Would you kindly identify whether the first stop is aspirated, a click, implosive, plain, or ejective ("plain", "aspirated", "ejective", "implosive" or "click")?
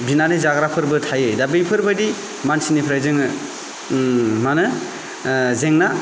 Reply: plain